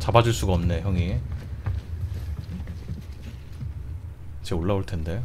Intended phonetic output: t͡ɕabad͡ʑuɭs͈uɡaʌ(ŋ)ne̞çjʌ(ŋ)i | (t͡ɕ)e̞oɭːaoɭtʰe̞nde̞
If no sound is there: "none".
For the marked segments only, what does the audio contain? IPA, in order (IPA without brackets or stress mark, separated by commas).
m, ŋ, t͡ɕ